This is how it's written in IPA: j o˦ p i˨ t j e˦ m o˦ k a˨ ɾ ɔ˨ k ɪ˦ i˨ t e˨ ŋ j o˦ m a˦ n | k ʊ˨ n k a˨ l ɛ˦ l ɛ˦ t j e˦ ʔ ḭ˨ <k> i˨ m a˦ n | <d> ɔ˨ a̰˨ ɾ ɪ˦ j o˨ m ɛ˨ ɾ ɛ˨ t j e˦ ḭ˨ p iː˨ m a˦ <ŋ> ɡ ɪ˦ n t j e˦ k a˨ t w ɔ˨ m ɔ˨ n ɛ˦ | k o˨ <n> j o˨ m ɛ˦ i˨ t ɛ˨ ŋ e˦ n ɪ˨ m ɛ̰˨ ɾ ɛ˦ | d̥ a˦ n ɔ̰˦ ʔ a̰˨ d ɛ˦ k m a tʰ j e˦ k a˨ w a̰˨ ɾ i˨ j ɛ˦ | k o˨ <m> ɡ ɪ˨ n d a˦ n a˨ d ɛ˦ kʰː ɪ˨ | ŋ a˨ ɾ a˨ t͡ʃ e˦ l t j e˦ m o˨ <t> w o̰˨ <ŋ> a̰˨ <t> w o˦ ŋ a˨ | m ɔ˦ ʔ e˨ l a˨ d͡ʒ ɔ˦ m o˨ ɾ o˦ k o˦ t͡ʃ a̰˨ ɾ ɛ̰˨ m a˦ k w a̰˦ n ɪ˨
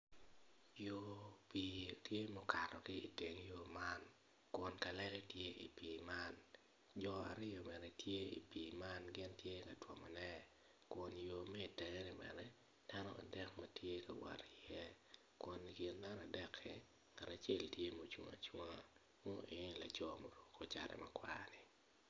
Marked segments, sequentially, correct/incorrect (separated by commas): incorrect, incorrect, incorrect, correct, incorrect, incorrect, correct, incorrect